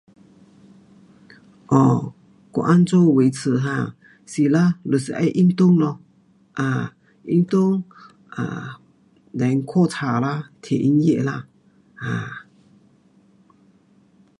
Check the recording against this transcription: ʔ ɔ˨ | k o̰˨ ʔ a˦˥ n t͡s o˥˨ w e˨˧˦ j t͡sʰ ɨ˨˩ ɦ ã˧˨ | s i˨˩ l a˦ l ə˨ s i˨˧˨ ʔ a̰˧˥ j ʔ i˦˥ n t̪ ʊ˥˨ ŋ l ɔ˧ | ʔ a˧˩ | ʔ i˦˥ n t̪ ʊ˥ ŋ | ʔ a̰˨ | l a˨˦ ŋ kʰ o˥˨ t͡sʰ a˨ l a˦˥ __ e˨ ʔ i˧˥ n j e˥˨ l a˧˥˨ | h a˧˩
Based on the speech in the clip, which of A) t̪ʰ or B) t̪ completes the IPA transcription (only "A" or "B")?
A